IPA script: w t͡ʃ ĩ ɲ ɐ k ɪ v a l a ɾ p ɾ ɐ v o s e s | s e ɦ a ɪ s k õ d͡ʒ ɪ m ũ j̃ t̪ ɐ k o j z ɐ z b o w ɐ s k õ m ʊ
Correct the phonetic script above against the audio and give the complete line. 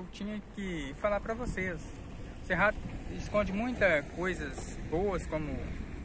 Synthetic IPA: w t͡ʃ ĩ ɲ ɐ k ɪ f a l a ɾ p ɾ ɐ v o s e s | s e ɦ a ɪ s k õ d͡ʒ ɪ m ũ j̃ t̪ ɐ k o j z ɐ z b o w ɐ s k õ m ʊ